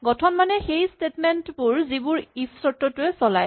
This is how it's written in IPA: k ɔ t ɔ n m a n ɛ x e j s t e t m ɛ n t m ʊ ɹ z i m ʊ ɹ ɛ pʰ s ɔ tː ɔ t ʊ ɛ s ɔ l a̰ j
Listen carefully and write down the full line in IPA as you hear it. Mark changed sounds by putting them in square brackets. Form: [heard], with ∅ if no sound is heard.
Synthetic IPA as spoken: [ɡ] ɔ [tʰ] ɔ n m a n ɛ x e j s t e t m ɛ n t [b] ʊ ɹ z i [b] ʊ ɹ [i] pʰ s ɔ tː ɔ t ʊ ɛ s ɔ l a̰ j

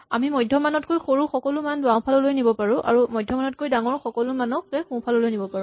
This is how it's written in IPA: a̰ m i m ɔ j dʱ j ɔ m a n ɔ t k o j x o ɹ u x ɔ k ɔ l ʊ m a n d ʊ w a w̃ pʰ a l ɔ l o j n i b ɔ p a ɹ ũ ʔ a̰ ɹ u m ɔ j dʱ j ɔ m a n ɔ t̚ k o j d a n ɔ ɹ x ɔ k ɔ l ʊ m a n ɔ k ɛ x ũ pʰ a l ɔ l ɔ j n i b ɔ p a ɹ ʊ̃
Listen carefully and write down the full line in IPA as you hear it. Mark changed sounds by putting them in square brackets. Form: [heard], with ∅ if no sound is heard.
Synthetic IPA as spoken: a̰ m i m ɔ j dʱ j ɔ m a n ɔ t k o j x o ɹ u x ɔ k ɔ l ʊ m a n d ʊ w a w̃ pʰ a l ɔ l o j n i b ɔ p a ɹ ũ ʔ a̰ ɹ u m ɔ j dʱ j ɔ m a n ɔ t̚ k o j d a [ŋ] ɔ ɹ x ɔ k ɔ l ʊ m a n ɔ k ɛ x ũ pʰ a l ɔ l [o] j n i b ɔ p a ɹ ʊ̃

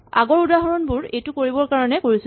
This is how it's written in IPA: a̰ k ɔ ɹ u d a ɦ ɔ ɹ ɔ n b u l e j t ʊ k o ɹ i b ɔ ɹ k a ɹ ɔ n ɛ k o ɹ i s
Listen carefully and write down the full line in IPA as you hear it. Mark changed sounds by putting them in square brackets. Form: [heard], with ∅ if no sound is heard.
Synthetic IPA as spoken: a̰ [ɡ] ɔ ɹ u d a ɦ ɔ ɹ ɔ n b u [ɹ] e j t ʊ k o ɹ i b ɔ ɹ k a ɹ ɔ n ɛ k o ɹ i s

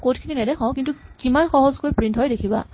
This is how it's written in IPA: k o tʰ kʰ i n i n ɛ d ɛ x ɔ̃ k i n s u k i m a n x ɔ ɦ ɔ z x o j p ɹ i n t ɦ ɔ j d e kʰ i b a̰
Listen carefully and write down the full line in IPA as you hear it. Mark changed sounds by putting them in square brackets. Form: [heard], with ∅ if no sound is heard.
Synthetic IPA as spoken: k o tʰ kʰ i n i n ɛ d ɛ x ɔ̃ k i n [t] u k i m a n x ɔ ɦ ɔ z [k] o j p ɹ i n t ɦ ɔ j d e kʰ i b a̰

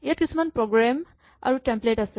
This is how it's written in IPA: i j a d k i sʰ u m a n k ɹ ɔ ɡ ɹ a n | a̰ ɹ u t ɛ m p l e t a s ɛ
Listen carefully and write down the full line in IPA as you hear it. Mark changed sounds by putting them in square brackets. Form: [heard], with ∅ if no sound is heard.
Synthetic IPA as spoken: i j a [t] k i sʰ u m a n [p] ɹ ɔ ɡ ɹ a [m] | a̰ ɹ u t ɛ m p l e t a s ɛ

